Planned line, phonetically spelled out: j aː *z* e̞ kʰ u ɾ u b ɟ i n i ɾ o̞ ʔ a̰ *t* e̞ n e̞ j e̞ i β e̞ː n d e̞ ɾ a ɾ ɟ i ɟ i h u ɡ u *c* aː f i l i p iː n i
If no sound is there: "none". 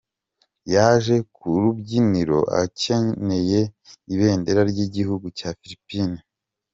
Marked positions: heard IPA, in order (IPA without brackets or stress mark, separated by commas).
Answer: ʒ, c, c